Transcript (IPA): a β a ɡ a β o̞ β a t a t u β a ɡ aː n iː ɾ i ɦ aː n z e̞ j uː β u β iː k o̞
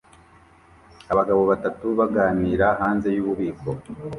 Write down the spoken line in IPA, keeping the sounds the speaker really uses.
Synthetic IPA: a β a ɡ a β o̞ β a t a t u β a ɡ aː n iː ɾ a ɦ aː n z e̞ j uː β u β iː k o̞